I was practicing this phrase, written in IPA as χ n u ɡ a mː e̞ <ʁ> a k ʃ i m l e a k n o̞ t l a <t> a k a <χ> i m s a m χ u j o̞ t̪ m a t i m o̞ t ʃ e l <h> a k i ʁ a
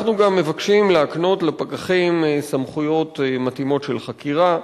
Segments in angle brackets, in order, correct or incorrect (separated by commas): incorrect, incorrect, correct, incorrect